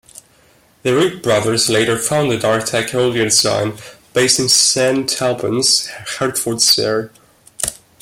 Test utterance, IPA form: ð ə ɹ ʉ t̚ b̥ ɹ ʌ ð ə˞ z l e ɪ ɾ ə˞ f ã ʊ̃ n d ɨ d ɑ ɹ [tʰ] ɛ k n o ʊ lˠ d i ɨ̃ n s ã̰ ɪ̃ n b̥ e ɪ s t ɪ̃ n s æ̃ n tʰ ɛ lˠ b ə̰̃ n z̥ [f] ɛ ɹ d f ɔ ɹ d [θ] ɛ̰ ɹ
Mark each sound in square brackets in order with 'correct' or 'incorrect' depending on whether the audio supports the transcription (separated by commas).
correct, incorrect, incorrect